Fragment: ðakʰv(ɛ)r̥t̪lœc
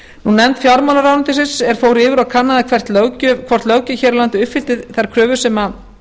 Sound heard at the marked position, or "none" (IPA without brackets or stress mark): ɛ